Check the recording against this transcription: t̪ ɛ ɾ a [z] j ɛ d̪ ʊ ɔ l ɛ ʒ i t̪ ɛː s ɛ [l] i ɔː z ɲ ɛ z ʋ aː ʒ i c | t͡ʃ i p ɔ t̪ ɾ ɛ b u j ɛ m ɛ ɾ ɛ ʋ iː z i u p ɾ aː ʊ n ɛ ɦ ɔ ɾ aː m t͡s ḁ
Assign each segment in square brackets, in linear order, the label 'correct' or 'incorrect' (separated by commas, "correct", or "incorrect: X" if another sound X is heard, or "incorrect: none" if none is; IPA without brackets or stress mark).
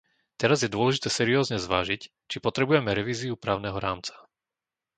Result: correct, incorrect: ɾ